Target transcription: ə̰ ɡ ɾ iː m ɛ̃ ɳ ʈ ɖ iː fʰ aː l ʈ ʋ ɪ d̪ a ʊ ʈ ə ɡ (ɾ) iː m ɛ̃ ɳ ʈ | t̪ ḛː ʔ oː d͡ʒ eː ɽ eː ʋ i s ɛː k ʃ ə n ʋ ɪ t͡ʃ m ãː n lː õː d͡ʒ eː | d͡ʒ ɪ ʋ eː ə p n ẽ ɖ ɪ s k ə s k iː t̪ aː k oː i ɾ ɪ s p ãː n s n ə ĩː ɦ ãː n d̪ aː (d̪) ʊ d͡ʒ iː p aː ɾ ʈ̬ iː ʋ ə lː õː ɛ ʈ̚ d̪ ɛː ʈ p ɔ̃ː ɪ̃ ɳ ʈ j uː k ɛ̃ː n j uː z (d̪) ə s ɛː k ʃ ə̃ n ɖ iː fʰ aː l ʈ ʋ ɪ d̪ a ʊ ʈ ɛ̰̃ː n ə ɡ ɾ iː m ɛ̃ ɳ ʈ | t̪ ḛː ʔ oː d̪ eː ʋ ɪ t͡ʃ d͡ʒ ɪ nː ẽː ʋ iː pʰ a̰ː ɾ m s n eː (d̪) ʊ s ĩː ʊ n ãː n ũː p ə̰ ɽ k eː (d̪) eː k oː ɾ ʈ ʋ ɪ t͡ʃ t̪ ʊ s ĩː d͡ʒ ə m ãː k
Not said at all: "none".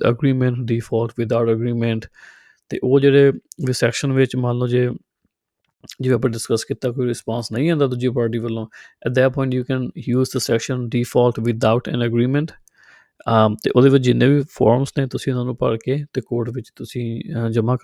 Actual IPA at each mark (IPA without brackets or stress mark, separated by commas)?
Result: ɾ, d̪, d̪, t̪, t̪